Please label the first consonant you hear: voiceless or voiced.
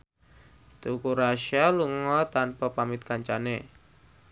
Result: voiceless